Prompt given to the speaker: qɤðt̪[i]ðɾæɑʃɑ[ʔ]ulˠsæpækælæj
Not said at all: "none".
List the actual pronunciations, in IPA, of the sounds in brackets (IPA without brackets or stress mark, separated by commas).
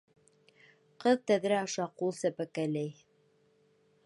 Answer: æ, q